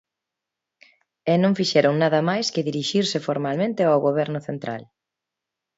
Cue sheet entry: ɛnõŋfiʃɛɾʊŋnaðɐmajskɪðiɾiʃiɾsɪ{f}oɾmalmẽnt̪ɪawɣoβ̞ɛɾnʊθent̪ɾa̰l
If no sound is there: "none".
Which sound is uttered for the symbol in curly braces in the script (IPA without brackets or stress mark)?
f